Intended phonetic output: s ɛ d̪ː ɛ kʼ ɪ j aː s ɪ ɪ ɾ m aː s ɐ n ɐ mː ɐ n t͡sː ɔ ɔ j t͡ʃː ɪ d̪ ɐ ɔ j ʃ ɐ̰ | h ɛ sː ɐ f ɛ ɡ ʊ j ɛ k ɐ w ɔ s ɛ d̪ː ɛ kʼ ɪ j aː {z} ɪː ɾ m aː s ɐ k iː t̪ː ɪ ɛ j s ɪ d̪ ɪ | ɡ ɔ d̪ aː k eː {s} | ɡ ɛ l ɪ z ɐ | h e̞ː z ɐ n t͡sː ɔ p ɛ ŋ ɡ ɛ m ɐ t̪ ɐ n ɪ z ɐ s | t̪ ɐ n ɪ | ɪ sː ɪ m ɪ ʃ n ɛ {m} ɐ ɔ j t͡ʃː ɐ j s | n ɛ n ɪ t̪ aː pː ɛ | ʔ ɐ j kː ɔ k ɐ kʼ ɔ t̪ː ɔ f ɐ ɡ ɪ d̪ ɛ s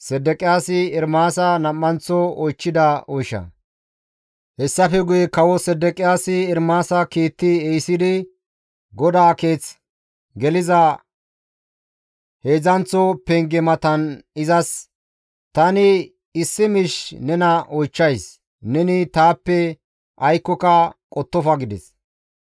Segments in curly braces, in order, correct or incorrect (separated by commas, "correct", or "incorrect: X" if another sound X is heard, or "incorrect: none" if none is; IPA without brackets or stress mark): incorrect: s, incorrect: t͡s, incorrect: n